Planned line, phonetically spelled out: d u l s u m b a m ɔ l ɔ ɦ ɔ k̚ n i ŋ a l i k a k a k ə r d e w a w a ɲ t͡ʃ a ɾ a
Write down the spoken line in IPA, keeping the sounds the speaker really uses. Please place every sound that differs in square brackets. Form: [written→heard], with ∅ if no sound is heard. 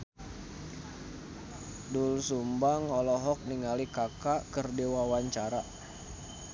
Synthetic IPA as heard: d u l s u m b a [m→ŋ] ɔ l ɔ ɦ ɔ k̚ n i ŋ a l i k a k a k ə r d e w a w a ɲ t͡ʃ a ɾ a